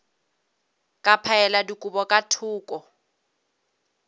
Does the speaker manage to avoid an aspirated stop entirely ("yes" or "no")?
no